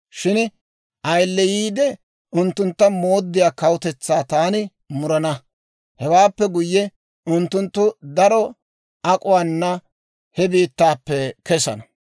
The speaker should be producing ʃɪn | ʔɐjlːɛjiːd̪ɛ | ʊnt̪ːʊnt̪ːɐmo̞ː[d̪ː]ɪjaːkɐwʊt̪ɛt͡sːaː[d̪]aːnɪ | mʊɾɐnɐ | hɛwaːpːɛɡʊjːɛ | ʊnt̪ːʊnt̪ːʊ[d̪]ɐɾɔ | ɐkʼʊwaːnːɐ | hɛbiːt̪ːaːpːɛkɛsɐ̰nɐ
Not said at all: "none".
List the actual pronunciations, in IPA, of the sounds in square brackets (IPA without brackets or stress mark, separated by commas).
d̪ː, t̪, d̪